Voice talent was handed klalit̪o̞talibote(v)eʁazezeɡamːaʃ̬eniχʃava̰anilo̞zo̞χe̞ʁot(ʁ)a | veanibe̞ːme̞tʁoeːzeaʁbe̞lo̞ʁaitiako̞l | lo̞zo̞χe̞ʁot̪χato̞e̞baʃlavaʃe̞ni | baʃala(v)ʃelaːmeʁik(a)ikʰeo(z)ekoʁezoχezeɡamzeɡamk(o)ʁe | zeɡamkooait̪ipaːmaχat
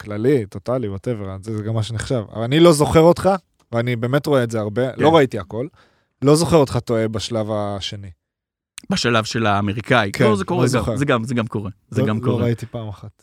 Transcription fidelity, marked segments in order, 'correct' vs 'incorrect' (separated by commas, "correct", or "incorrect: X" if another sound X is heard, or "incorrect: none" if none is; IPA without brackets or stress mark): correct, incorrect: χ, correct, correct, correct, correct